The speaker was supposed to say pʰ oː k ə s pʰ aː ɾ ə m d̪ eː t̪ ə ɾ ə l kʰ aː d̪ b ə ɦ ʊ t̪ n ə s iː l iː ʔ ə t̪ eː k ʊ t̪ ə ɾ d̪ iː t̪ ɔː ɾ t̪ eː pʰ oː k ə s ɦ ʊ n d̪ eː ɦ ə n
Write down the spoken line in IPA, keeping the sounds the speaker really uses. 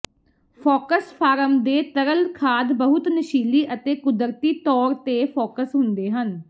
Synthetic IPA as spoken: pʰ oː k ə s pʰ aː ɾ ə m d̪ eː t̪ ə ɾ ə l kʰ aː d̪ b ə ɦ ʊ t̪ n ə ʃ iː l iː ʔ ə t̪ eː k ʊ d̪ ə ɾ t̪ iː t̪ ɔː ɾ t̪ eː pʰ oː k ə s ɦ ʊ n d̪ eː ɦ ə n